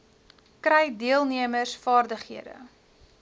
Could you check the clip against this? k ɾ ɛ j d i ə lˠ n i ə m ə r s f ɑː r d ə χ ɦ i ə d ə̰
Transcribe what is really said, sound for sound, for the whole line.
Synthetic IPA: k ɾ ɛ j d i ə lˠ n i ə m ə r s f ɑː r d ə χ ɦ i ə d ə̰